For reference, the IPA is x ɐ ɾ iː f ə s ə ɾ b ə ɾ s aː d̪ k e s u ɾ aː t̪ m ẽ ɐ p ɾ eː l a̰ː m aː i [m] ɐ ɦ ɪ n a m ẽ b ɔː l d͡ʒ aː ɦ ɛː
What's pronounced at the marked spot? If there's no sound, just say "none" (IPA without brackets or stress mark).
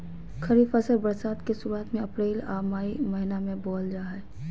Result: m